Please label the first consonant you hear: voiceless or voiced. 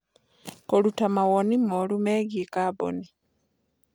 voiceless